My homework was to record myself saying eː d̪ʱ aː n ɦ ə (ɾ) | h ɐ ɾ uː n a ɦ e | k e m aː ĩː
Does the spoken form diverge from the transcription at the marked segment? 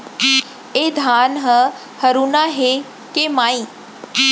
yes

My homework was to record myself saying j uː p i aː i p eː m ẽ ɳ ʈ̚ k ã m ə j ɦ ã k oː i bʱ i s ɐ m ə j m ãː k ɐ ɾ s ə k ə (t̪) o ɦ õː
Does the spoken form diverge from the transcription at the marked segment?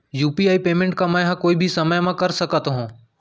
no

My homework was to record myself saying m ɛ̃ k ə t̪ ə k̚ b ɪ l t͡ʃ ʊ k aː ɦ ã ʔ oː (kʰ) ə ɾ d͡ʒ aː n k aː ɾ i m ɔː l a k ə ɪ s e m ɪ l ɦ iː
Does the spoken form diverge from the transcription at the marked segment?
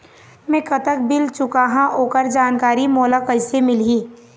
yes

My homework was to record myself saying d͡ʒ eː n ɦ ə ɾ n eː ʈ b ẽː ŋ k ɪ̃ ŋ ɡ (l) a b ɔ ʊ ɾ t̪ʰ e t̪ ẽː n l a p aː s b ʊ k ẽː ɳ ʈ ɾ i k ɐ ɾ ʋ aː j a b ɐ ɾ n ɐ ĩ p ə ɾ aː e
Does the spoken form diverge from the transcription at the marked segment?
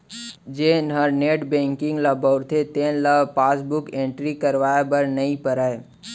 no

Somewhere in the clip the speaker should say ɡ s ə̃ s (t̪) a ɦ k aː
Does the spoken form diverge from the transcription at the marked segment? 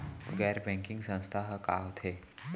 yes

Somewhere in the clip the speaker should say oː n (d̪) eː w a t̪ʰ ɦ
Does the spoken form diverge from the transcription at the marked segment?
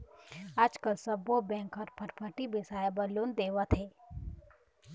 no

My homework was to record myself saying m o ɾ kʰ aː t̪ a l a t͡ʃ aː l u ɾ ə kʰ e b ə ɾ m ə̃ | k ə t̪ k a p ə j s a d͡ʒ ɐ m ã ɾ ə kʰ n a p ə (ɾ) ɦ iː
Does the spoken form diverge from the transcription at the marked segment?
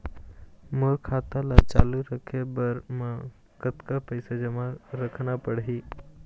yes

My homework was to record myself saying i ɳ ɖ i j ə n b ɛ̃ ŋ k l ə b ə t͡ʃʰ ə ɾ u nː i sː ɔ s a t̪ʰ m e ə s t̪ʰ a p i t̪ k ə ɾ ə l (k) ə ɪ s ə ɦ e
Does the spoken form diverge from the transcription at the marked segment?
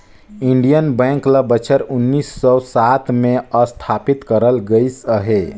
yes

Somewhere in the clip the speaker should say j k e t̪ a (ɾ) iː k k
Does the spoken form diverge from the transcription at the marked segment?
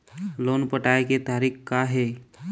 no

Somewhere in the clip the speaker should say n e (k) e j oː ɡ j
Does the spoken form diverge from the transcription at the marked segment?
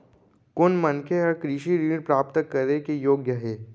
no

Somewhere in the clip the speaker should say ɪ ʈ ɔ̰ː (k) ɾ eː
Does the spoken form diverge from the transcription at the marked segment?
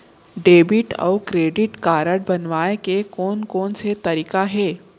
no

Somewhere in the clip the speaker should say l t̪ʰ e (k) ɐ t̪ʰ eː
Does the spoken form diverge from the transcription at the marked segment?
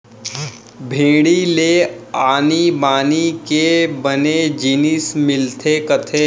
no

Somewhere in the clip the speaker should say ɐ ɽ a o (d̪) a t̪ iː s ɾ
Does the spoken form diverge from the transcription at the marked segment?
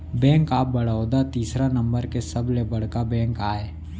no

